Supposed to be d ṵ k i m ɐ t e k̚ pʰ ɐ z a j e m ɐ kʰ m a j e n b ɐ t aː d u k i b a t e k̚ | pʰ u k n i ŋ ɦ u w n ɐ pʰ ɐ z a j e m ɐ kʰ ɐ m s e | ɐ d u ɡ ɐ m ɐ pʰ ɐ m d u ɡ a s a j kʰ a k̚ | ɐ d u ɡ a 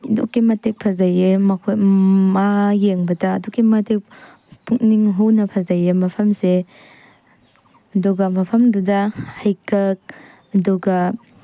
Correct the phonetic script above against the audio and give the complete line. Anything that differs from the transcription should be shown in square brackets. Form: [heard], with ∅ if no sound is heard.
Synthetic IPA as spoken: d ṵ k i m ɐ t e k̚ pʰ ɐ z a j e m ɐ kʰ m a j e [ŋ] b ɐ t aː d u k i [m] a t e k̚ | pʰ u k n i ŋ ɦ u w n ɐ pʰ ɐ z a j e m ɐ [pʰ] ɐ m s e | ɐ d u ɡ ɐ m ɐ pʰ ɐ m d u [d] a [h] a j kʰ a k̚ | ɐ d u ɡ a